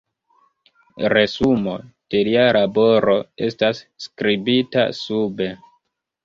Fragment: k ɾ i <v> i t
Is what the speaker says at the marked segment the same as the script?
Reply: no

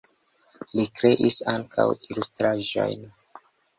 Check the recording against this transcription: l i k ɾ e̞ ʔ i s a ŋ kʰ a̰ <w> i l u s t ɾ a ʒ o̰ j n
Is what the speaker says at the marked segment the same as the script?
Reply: yes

